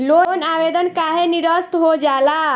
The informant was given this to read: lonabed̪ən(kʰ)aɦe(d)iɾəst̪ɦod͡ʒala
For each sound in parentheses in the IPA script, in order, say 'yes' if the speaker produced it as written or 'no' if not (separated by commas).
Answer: no, no